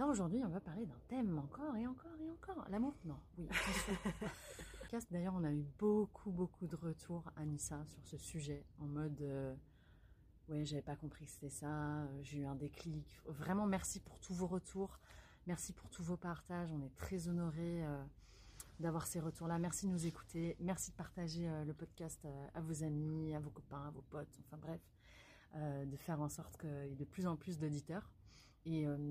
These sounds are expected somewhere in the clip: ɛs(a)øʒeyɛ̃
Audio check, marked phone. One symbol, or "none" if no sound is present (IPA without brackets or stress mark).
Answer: a